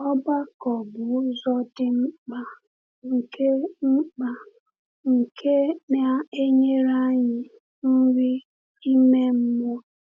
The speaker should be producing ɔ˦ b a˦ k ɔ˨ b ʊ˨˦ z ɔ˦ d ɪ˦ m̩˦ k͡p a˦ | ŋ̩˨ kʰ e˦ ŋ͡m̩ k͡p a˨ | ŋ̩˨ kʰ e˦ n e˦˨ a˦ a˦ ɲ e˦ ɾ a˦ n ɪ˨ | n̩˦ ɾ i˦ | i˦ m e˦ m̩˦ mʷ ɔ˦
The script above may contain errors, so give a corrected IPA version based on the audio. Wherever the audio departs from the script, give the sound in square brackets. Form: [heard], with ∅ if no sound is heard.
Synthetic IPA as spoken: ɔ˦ b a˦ k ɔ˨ b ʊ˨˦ z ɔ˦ d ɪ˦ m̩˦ k͡p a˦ | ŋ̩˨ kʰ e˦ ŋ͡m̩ k͡p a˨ | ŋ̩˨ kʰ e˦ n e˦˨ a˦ [e˦] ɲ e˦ ɾ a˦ [ɲ] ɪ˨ | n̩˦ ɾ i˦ | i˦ m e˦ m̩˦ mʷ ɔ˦